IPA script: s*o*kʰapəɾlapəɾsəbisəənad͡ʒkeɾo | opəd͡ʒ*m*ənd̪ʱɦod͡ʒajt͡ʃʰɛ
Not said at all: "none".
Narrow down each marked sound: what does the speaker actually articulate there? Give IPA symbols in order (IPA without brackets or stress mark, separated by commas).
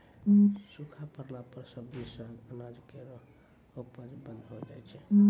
u, b